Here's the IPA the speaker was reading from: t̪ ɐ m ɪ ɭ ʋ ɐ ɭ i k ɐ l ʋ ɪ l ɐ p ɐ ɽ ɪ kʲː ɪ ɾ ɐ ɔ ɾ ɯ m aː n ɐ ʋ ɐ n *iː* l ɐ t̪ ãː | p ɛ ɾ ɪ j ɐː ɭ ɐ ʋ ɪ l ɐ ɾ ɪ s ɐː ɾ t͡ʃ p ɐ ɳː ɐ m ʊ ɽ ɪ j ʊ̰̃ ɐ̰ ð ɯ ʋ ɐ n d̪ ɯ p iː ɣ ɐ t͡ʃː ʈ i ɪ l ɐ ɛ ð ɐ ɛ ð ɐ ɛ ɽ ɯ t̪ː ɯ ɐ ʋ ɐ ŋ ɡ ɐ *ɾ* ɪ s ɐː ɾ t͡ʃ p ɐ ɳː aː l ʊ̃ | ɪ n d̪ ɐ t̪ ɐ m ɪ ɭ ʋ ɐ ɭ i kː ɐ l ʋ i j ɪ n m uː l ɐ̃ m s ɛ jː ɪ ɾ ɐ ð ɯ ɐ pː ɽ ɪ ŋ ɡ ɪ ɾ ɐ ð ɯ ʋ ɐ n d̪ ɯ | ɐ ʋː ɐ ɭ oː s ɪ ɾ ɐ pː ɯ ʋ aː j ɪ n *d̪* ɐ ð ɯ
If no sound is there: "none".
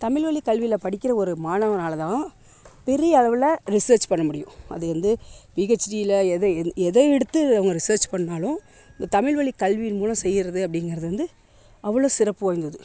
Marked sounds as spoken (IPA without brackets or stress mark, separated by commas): aː, ɾ, d̪